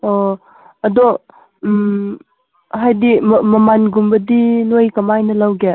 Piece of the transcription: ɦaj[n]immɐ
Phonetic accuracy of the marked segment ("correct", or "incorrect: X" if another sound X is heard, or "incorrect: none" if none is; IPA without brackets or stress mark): incorrect: d